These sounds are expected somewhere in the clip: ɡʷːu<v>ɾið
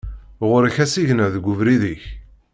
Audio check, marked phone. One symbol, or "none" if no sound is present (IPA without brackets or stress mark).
v